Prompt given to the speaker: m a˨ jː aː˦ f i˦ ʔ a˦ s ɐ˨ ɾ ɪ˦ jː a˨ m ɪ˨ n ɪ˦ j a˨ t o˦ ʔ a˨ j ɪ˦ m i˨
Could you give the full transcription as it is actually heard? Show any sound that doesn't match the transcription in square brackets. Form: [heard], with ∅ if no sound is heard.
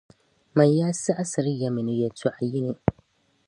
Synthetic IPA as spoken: m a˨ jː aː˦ [s] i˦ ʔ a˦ s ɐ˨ ɾ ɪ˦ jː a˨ m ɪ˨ n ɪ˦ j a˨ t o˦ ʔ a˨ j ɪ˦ [n] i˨